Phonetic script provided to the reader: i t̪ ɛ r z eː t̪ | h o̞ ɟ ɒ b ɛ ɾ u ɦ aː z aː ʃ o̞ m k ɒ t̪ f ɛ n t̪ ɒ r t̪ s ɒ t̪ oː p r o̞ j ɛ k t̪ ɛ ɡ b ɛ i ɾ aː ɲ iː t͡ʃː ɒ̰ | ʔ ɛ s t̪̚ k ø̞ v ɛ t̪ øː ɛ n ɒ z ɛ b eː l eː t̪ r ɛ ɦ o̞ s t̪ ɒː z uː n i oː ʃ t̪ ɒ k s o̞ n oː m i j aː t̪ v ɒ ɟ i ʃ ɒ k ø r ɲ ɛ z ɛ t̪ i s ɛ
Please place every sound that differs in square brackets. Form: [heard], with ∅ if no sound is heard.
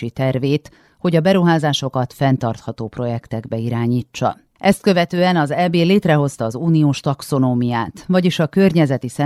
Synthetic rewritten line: i t̪ ɛ r [v] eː t̪ | h o̞ ɟ ɒ b ɛ ɾ u ɦ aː z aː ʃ o̞ [∅] k ɒ t̪ f ɛ n t̪ ɒ r t̪ [h] ɒ t̪ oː p r o̞ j ɛ k t̪ ɛ ɡ b ɛ i ɾ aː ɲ iː t͡ʃː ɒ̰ | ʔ ɛ s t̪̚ k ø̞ v ɛ t̪ øː ɛ n ɒ z ɛ b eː l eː t̪ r ɛ ɦ o̞ s t̪ ɒː z uː n i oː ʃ t̪ ɒ k s o̞ n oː m i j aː t̪ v ɒ ɟ i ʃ ɒ k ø r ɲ ɛ z ɛ t̪ i s ɛ